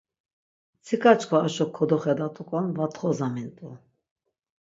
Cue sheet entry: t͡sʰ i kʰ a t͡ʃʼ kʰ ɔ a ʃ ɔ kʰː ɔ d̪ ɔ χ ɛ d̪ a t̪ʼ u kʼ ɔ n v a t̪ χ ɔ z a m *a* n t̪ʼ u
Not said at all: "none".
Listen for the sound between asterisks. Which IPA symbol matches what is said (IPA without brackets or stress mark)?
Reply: i